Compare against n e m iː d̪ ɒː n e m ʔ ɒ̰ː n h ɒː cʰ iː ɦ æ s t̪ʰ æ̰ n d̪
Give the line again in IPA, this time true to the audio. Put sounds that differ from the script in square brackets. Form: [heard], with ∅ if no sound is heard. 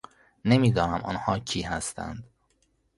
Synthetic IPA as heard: n e m iː d̪ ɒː n [æ] m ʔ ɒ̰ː n h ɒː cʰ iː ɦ æ s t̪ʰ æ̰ n d̪